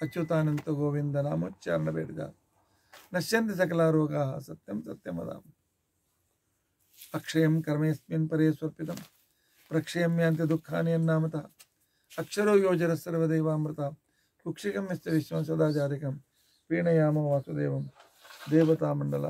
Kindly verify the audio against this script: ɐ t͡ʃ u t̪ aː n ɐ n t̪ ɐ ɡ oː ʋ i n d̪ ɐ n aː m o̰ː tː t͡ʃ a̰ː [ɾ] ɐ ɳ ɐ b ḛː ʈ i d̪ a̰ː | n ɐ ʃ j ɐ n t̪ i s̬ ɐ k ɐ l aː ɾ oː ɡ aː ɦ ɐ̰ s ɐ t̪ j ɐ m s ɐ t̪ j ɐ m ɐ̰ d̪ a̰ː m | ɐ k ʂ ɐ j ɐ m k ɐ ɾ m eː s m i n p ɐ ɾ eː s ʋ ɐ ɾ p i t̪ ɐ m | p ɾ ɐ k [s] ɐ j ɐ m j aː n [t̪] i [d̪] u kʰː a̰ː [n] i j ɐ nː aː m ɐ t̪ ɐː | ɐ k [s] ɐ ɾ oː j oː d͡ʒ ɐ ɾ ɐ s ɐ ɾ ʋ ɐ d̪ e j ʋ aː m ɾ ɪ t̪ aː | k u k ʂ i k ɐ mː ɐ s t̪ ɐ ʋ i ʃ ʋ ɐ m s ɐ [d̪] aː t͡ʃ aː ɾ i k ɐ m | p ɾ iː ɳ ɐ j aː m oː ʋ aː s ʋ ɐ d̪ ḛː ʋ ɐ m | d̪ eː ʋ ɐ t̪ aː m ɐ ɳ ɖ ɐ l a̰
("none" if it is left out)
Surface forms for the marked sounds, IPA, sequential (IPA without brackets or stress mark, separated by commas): ɾ, ʂ, t̪, d̪, n, ʂ, d̪